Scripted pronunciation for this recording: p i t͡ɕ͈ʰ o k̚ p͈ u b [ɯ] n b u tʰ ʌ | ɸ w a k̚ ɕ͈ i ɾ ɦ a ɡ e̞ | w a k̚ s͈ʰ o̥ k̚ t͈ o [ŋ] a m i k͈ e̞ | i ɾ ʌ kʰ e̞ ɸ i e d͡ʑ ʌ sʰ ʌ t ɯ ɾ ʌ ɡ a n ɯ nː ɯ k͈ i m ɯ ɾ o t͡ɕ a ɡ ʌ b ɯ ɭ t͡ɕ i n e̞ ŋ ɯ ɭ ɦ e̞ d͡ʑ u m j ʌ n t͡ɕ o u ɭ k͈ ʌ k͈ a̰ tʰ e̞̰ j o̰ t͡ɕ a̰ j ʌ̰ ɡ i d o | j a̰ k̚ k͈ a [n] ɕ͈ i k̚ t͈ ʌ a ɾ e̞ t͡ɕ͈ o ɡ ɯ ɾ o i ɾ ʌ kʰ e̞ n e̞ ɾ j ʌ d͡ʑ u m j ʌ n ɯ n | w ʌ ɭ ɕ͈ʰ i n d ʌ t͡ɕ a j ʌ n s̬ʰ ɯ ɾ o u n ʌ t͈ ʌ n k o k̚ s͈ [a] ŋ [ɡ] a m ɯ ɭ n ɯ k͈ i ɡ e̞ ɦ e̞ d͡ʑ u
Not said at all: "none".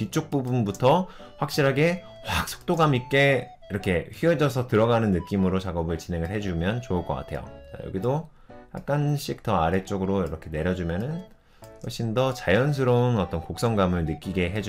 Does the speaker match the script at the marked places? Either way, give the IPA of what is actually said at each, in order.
u, ɡ, n, ʌ, ɡ

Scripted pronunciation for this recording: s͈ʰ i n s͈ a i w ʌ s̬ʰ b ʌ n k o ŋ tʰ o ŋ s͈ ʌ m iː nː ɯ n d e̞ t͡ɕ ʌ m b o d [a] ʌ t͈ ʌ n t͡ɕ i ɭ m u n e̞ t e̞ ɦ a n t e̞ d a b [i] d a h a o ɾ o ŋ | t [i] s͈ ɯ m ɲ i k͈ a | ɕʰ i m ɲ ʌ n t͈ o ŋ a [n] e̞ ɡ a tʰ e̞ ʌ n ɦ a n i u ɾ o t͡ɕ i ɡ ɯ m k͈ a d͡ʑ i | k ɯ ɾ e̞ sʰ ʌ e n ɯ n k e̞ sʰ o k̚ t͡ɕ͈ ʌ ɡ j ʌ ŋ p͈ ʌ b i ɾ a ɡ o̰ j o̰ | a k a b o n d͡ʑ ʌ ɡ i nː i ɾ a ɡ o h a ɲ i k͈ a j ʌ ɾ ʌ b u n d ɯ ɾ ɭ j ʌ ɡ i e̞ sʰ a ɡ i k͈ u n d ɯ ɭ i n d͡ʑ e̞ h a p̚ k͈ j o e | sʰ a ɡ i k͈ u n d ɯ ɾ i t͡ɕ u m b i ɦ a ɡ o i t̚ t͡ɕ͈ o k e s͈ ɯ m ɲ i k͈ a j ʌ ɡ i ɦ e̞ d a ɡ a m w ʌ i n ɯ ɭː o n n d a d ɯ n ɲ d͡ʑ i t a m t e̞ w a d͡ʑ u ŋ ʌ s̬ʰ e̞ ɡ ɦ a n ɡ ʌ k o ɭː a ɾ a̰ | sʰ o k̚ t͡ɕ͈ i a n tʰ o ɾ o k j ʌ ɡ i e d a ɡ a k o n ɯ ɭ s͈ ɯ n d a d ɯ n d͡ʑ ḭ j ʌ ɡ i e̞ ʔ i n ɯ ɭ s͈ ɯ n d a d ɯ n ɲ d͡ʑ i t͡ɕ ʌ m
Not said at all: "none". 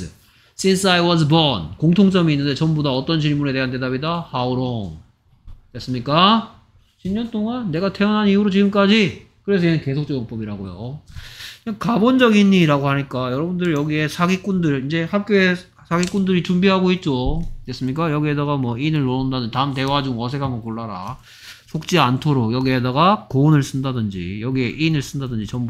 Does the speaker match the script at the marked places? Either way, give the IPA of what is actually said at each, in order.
a, i, e, nː

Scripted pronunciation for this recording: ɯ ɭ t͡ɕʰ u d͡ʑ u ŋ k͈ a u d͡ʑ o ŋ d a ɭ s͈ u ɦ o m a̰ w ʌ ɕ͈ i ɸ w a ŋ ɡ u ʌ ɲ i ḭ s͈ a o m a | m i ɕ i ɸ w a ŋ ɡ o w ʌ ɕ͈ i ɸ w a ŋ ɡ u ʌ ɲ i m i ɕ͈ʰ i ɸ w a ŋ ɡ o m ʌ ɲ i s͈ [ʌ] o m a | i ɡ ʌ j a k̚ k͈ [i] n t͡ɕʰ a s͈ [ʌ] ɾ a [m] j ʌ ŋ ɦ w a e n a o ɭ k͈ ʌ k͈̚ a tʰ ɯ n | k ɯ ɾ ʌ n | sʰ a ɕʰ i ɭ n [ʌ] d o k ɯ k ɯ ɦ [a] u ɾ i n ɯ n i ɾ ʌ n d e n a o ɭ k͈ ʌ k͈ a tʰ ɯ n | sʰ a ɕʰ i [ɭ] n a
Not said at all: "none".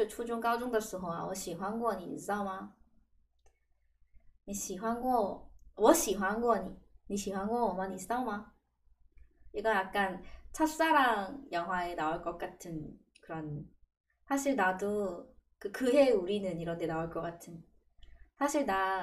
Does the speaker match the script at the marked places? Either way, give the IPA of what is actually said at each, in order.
a, a, a, ŋ, a, e, ɭ

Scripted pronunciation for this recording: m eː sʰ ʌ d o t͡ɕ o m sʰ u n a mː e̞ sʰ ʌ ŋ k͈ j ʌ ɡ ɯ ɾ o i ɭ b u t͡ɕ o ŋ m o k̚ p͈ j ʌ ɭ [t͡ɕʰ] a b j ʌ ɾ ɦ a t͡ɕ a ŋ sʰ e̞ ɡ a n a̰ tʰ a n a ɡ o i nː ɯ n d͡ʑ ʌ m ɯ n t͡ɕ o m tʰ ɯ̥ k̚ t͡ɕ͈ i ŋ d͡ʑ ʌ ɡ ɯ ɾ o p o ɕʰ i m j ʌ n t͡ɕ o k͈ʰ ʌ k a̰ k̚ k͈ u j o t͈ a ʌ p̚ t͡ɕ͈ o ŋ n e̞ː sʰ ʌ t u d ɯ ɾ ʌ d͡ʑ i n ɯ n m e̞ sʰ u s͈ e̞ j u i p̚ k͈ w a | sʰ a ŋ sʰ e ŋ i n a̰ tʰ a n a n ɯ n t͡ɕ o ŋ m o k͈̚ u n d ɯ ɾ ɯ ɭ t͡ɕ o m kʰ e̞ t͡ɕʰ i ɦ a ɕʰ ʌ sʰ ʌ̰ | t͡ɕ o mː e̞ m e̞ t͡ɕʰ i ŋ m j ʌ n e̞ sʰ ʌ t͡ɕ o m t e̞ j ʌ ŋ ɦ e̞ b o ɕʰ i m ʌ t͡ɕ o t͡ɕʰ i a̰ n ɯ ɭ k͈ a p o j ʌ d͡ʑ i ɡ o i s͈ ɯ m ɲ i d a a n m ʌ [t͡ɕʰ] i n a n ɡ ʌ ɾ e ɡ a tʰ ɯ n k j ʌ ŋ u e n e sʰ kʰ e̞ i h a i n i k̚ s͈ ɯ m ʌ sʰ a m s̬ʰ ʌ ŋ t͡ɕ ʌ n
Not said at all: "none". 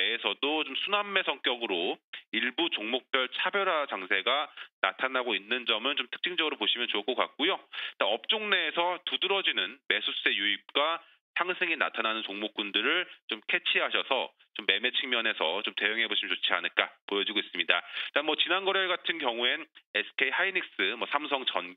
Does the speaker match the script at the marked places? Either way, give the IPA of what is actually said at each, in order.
t͡ɕʰ, t͡ɕ

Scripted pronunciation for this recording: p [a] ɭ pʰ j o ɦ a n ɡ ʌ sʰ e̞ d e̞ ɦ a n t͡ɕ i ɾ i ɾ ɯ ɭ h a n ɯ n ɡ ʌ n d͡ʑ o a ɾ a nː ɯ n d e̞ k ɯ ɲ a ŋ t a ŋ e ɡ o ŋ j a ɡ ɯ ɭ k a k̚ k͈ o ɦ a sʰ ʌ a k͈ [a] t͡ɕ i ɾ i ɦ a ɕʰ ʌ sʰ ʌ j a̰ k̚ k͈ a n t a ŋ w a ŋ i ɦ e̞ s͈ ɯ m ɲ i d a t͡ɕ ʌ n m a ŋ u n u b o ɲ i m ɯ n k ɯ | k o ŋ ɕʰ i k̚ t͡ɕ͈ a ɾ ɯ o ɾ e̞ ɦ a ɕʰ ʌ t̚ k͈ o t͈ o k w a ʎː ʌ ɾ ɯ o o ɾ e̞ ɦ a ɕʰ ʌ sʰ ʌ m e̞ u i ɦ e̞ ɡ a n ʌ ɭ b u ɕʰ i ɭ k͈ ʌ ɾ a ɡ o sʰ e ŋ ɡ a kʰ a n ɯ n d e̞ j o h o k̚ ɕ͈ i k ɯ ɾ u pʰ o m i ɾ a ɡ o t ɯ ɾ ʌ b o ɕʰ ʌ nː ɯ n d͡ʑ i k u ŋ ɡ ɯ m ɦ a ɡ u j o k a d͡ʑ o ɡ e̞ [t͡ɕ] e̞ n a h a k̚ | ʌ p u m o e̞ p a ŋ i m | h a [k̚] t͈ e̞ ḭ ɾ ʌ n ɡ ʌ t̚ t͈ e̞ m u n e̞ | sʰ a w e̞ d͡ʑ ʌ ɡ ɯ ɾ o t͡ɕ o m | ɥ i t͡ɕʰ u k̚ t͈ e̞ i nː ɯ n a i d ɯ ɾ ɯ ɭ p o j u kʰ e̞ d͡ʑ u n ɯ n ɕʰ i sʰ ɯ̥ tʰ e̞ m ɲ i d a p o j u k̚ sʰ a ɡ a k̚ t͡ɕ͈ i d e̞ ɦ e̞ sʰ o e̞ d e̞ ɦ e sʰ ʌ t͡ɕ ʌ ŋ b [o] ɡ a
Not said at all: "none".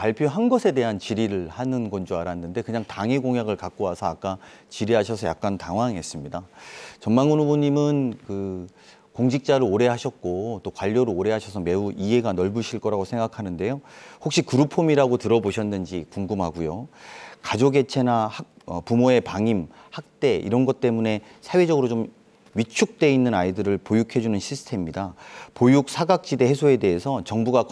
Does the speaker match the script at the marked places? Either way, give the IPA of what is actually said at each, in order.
a, a, t͡ɕʰ, k̚, u

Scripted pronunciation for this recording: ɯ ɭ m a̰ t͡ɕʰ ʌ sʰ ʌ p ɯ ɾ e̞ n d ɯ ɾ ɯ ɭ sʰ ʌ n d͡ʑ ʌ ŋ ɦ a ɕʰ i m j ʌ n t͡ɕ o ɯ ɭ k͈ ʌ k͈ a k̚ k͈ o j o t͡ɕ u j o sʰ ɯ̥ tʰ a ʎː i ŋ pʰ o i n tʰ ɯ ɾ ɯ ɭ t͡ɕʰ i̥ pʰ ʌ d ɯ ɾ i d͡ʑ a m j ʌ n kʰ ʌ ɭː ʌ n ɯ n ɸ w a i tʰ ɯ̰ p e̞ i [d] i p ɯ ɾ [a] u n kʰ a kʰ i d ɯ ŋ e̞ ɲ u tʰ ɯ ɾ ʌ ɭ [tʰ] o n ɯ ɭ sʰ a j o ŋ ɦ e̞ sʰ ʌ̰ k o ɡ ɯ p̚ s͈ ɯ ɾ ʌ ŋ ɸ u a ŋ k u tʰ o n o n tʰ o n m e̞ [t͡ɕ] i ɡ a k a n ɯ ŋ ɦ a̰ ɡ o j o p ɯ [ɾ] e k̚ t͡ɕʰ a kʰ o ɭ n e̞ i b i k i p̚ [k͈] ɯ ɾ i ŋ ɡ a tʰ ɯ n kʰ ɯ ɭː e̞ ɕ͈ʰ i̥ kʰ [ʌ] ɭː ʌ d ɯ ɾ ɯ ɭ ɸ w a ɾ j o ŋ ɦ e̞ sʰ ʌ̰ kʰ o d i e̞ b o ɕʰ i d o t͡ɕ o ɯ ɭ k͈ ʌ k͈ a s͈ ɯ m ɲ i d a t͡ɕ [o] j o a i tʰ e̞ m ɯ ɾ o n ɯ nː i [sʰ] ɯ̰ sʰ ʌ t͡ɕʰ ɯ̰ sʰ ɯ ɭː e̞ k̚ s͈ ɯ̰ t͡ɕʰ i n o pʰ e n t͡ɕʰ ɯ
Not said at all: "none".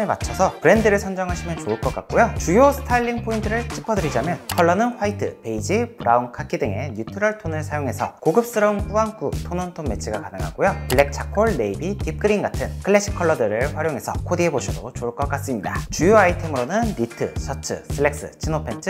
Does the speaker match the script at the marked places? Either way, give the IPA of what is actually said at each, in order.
d͡ʑ, a, tʰ, t͡ɕʰ, ɭ, k͈, ʌ, u, tʰ

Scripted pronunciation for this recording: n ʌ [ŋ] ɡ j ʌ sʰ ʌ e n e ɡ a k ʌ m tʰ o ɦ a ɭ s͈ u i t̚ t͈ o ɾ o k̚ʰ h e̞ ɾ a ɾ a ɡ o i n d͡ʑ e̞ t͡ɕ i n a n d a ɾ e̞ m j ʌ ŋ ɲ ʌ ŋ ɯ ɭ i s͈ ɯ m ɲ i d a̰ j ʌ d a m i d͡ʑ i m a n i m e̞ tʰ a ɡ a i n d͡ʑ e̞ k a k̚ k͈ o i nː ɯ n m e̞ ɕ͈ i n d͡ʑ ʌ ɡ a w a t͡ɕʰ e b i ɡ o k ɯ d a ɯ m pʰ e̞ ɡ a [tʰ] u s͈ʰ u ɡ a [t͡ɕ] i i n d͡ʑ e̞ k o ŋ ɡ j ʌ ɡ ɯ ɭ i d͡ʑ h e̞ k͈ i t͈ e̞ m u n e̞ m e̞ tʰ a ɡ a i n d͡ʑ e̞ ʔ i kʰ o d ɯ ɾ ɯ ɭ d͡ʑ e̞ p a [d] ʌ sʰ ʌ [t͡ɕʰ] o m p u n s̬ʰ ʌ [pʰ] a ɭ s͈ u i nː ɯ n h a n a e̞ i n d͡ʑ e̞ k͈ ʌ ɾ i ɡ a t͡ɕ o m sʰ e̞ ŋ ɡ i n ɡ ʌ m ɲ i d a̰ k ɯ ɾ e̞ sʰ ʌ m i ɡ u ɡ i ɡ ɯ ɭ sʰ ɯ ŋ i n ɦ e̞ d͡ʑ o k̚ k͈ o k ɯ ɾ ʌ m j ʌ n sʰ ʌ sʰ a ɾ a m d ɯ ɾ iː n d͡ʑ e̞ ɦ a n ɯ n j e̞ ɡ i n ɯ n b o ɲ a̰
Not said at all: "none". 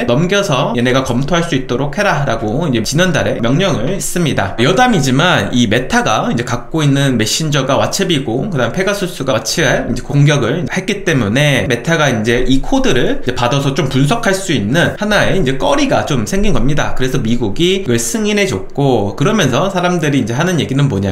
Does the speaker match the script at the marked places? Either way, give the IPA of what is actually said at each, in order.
m, sʰ, t͡ɕʰ, d, t͡ɕ, kʰ

